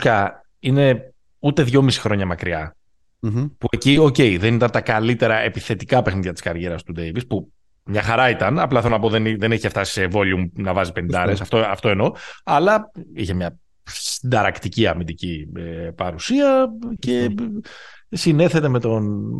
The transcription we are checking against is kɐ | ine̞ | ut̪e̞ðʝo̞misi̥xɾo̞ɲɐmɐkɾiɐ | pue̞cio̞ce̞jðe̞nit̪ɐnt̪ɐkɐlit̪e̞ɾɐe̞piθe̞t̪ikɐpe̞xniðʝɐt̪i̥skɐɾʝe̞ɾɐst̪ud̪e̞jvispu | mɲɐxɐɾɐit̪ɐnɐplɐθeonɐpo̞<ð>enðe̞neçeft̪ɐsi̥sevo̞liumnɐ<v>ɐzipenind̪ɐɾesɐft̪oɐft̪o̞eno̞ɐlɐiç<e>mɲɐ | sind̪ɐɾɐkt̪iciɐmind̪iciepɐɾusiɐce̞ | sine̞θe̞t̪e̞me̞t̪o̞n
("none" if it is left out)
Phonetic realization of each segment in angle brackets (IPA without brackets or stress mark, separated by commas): ð, v, e